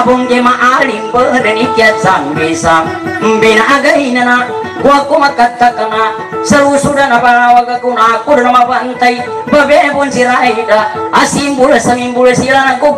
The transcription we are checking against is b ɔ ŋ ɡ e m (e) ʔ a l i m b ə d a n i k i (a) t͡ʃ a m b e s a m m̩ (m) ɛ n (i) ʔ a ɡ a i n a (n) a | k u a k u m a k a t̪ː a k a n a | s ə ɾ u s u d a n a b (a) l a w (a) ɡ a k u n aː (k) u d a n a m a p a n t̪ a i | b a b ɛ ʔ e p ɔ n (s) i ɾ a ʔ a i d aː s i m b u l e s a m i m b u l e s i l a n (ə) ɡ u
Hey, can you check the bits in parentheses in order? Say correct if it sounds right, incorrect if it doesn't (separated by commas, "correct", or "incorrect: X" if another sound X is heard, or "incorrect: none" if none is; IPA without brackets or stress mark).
incorrect: a, correct, incorrect: b, incorrect: a, correct, correct, correct, correct, correct, incorrect: a